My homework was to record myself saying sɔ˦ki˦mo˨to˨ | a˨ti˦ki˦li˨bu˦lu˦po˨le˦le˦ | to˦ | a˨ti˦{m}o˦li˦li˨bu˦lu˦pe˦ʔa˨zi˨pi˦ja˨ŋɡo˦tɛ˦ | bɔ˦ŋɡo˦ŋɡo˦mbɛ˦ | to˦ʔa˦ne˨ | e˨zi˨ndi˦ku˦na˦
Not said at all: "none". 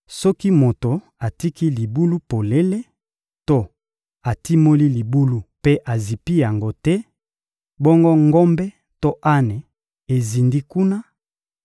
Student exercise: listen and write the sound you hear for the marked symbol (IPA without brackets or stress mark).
m